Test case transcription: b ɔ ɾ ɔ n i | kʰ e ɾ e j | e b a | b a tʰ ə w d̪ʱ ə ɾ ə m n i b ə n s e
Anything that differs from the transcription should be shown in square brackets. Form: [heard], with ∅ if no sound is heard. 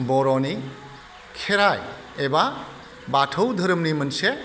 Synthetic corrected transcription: b ɔ ɾ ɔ n i | kʰ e ɾ [a] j | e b a | b a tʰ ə w d̪ʱ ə ɾ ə m n i [m] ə n s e

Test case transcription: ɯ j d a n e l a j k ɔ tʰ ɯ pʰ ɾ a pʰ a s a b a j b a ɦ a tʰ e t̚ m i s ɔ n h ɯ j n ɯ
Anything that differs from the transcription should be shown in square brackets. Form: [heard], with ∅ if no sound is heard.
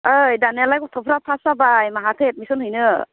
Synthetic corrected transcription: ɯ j d a n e l a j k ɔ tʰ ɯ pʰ ɾ a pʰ a s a b a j [m] a ɦ a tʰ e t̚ m i s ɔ n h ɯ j n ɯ

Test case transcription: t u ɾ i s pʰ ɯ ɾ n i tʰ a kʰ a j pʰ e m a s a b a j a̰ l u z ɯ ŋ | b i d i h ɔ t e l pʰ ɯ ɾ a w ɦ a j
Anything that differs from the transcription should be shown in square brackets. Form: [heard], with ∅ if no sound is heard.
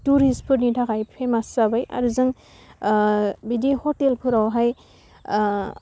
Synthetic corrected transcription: t u ɾ i s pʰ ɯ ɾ n i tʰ a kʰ a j pʰ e m a s a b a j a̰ [ɾ] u z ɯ ŋ | b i d i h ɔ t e l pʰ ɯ ɾ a w ɦ a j

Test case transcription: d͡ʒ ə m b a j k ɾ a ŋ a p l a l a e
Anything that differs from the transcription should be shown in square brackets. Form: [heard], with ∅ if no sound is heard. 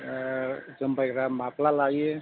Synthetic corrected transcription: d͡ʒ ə m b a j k ɾ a [m] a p l a l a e

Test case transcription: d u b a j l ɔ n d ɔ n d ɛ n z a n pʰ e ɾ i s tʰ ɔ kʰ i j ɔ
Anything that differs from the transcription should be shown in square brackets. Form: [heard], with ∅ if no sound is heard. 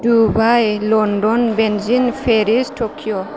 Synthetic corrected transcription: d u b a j l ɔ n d ɔ n [b] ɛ n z [i] n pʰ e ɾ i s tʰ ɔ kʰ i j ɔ

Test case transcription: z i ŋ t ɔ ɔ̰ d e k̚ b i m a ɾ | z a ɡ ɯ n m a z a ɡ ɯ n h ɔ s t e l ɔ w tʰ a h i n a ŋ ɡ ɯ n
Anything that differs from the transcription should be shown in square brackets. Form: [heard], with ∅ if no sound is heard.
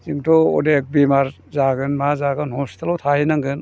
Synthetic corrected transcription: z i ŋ t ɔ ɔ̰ d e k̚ b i m a ɾ | z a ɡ ɯ n m a z a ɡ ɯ n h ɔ s t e l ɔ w tʰ a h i n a ŋ ɡ ɯ n

